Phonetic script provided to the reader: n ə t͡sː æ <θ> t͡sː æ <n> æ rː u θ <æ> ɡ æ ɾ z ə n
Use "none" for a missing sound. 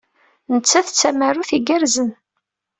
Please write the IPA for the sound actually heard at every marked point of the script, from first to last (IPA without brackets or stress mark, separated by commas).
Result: θ, m, i